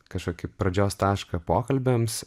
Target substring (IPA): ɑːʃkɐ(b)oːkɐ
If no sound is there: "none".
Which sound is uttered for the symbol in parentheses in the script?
p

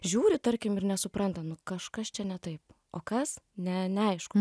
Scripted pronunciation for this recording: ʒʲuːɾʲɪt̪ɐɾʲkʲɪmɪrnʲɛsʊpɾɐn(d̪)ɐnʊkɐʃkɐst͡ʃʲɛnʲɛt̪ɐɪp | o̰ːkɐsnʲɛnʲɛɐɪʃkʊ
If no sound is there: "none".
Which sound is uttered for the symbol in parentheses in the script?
t̪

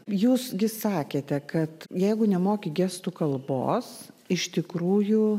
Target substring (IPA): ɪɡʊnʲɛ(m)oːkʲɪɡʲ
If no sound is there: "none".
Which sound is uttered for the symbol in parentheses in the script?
m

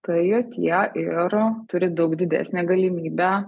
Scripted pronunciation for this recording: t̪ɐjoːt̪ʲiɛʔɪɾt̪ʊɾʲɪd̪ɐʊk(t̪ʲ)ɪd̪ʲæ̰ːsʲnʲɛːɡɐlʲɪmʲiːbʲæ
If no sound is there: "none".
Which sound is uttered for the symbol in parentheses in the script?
d̪ʲ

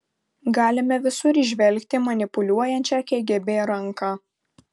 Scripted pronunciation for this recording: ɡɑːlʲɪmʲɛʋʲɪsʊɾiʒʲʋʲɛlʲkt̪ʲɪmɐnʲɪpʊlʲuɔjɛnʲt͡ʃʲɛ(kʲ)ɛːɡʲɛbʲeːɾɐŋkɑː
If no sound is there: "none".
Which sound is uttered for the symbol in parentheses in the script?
kʲ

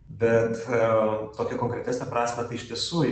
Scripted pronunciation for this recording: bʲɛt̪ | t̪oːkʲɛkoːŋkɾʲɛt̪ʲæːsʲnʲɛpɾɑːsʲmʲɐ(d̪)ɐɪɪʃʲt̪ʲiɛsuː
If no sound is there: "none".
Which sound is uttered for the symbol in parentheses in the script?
t̪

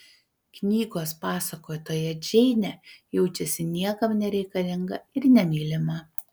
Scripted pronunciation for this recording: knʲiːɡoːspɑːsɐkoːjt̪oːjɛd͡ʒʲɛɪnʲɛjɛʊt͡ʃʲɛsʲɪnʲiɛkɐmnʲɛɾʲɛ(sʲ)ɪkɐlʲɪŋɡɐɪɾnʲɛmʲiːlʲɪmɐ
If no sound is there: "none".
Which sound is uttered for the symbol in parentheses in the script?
none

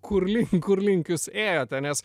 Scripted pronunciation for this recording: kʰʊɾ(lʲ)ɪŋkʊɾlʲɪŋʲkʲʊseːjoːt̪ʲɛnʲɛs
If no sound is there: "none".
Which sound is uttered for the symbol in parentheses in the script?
lʲ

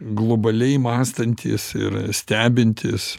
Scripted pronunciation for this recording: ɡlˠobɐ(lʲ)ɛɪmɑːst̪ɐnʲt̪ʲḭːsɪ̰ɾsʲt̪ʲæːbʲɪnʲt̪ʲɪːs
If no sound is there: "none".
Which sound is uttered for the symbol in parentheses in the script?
lʲ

